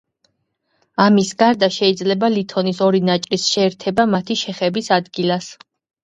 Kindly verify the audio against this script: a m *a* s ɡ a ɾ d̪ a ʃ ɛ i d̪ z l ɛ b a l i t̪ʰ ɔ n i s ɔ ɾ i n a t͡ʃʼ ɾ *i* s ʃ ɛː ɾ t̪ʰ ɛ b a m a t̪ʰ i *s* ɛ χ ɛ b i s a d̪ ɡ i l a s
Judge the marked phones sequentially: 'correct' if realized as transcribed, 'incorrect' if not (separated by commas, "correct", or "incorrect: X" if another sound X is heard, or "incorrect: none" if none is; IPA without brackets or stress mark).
incorrect: i, correct, incorrect: ʃ